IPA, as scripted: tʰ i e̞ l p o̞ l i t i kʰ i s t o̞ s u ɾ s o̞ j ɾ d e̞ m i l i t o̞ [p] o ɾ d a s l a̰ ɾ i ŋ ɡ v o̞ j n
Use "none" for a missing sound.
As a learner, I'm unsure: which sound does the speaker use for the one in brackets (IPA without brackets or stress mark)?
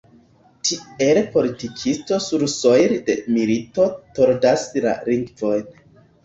t